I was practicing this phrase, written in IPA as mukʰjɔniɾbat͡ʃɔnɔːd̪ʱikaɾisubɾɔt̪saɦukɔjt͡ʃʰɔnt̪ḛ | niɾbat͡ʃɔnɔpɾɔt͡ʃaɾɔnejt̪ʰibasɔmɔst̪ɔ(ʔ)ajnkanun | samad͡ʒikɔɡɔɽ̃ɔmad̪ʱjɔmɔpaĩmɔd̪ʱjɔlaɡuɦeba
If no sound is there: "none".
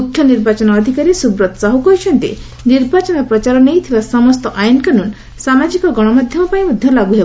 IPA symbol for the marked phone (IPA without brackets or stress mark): ʔ